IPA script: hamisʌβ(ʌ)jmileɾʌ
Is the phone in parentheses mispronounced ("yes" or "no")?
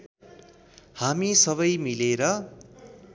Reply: no